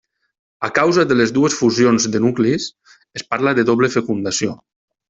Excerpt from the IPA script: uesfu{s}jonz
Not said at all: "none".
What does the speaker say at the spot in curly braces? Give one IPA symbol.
z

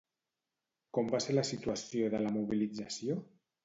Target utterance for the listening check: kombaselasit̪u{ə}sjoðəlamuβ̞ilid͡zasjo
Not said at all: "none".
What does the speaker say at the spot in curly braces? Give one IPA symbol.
a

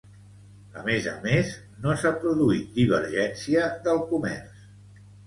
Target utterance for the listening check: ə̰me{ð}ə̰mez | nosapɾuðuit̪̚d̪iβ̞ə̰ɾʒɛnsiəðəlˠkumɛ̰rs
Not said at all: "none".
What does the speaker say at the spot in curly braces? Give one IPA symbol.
z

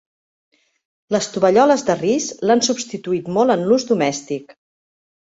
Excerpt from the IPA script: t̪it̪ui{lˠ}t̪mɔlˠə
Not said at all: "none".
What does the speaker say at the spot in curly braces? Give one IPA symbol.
none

